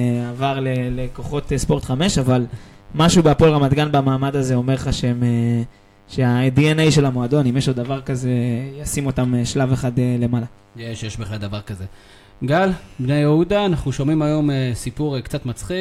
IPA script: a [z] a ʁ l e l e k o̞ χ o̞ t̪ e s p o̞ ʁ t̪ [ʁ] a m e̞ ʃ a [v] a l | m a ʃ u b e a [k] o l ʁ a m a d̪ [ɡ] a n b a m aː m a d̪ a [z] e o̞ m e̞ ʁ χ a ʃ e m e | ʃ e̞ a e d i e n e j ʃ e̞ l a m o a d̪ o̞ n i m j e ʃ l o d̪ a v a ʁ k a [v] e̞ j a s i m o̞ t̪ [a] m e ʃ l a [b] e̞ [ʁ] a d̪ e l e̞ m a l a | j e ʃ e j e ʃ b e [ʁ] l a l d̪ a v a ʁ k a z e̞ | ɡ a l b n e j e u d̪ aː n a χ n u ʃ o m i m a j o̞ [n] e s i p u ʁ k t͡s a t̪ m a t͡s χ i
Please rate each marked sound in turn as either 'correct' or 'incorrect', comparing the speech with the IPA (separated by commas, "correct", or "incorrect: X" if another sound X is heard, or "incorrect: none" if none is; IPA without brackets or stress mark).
incorrect: v, incorrect: χ, correct, incorrect: p, correct, correct, incorrect: z, correct, incorrect: v, incorrect: χ, incorrect: χ, incorrect: m